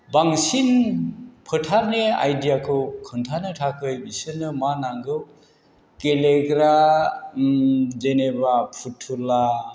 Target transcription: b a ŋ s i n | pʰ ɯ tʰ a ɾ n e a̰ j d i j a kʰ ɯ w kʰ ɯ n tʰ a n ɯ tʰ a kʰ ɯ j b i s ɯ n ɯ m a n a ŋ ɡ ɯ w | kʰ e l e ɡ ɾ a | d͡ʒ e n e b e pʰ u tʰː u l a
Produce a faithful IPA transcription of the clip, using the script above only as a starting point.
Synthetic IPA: b a ŋ s i n | pʰ ɯ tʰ a ɾ n e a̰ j d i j a kʰ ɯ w kʰ ɯ n tʰ a n ɯ tʰ a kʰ ɯ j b i s ɯ n ɯ m a n a ŋ ɡ ɯ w | k e l e ɡ ɾ a | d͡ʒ e n e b a pʰ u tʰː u l a